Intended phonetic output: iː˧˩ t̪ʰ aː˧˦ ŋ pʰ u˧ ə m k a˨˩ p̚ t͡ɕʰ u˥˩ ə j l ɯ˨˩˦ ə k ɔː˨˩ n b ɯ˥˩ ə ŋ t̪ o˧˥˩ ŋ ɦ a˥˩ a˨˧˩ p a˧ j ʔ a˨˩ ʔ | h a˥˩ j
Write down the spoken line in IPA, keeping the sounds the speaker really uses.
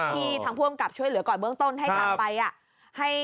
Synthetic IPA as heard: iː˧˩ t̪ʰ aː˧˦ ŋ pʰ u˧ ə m k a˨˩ p̚ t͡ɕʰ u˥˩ ə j l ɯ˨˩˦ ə k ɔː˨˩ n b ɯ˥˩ ə ŋ t̪ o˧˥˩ n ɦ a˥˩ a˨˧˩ p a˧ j ʔ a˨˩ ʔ | h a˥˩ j